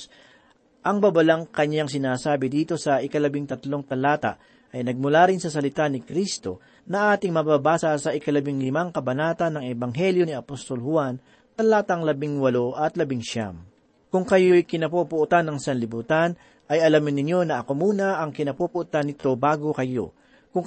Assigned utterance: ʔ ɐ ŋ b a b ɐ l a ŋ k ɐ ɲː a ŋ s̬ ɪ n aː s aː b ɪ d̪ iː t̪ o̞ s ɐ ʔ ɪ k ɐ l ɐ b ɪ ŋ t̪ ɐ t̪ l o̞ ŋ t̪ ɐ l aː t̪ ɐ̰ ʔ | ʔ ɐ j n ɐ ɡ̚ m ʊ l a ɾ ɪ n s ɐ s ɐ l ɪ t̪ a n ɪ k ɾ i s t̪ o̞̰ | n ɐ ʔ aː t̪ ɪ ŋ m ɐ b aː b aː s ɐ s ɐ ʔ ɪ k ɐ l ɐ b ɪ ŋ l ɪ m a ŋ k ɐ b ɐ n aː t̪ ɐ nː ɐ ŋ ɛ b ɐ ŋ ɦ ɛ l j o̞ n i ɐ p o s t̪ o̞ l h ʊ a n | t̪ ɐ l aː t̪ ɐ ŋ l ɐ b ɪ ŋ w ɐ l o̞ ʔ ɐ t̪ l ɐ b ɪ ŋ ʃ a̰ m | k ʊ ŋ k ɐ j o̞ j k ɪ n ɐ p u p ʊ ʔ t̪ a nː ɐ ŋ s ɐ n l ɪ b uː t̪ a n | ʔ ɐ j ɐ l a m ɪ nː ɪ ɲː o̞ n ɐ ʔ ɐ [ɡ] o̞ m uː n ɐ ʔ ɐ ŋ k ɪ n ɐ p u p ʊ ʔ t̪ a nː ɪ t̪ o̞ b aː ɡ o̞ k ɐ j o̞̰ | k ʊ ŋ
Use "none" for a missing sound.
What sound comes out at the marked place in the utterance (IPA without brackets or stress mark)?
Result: k